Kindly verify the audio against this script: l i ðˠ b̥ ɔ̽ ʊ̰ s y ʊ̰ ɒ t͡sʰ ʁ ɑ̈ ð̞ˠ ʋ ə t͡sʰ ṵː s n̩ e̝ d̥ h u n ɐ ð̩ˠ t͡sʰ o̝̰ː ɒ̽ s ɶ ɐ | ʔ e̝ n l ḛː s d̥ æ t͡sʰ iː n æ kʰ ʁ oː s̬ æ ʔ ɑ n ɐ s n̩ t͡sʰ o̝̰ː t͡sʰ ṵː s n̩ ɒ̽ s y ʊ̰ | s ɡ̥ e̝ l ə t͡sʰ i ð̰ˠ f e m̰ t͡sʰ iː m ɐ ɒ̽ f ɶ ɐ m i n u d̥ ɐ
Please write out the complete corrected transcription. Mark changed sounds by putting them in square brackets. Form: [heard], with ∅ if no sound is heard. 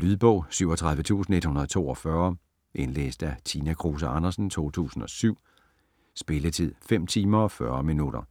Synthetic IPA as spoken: l [y] ðˠ b̥ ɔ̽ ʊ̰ s y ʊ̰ ɒ t͡sʰ ʁ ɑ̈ ð̞ˠ ʋ ə t͡sʰ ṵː s n̩ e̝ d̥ h u n ɐ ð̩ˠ t͡sʰ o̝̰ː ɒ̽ [f] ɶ ɐ | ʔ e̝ n l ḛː s d̥ æ t͡sʰ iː n æ kʰ ʁ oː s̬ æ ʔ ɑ n ɐ s n̩ t͡sʰ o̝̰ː t͡sʰ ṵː s n̩ ɒ̽ s y ʊ̰ | s [b̥] e̝ l ə t͡sʰ i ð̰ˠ f e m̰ t͡sʰ iː m ɐ ɒ̽ f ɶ ɐ m i n u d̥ ɐ